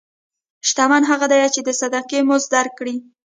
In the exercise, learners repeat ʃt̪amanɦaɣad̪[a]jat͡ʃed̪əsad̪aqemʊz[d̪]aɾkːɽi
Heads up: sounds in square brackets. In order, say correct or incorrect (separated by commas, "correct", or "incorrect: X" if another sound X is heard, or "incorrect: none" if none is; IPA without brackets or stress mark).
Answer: correct, correct